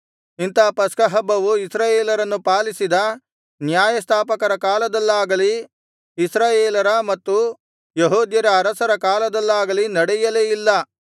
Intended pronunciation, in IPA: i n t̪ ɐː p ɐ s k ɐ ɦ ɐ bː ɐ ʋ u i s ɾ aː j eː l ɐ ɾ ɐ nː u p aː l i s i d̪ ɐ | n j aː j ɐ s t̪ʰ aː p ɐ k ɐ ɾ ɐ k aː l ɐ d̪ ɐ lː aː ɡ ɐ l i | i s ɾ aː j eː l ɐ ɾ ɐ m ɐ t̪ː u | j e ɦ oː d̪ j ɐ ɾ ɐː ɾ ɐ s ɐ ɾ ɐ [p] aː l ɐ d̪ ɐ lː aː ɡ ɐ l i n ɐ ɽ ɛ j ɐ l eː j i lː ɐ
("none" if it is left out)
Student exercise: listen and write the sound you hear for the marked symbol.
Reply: k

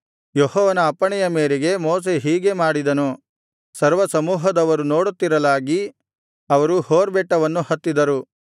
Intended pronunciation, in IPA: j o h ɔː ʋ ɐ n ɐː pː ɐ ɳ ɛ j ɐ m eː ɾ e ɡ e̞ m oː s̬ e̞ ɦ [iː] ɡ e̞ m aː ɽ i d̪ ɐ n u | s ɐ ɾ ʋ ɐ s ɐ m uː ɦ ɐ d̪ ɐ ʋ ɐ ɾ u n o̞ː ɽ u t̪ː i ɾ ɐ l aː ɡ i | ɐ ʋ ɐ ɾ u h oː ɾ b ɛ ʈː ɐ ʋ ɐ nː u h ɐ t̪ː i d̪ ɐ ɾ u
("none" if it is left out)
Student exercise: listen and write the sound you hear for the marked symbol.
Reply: iː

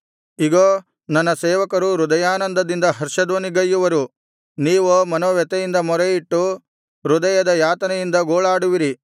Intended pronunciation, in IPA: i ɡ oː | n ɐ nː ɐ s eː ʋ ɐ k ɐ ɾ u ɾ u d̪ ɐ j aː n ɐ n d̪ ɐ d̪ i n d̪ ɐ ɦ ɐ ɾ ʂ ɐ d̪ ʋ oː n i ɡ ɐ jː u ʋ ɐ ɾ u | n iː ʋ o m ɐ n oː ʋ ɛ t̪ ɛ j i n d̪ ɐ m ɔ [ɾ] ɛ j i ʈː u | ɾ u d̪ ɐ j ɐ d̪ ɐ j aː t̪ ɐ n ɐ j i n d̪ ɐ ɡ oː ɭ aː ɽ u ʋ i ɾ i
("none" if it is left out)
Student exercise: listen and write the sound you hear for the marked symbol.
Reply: ɾ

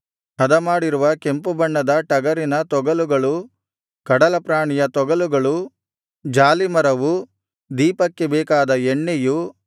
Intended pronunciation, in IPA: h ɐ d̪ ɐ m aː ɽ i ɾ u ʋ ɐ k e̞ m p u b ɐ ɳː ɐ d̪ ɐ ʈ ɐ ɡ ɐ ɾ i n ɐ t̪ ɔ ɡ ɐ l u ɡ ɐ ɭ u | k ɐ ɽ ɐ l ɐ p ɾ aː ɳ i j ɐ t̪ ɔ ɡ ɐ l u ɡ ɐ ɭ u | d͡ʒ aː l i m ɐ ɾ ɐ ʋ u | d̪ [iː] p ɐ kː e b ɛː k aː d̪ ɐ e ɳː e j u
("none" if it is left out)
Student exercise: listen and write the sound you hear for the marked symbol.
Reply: iː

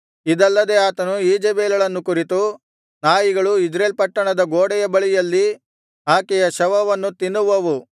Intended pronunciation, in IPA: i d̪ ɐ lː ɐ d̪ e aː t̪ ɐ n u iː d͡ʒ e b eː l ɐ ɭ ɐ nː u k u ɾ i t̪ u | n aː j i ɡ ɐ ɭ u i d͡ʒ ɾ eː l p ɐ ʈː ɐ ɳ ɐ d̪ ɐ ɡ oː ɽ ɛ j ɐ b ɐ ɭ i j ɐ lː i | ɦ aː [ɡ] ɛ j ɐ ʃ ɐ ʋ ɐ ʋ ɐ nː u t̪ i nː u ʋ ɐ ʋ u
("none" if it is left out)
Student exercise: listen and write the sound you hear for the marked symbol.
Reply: k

